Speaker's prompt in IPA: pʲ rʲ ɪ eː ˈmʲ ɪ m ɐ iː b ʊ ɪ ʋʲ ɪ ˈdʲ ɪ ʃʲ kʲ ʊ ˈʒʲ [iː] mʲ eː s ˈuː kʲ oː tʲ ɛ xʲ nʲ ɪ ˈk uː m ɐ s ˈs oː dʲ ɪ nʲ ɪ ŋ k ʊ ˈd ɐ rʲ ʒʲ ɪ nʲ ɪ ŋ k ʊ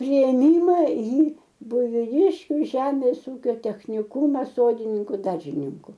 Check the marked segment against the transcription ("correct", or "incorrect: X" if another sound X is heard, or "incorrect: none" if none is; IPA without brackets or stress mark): incorrect: æː